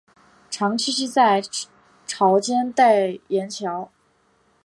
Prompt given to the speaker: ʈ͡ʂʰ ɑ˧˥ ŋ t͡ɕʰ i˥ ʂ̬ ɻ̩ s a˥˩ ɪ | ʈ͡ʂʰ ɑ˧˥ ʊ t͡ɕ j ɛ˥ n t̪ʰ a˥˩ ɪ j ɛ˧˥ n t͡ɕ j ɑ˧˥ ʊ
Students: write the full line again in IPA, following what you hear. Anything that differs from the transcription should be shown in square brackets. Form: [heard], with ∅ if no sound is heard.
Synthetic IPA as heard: ʈ͡ʂʰ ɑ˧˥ ŋ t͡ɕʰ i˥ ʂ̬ ɻ̩ [t͡s] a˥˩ ɪ | ʈ͡ʂʰ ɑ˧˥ ʊ t͡ɕ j ɛ˥ n [t̪] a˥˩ ɪ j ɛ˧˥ n [t͡ɕʰ] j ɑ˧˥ ʊ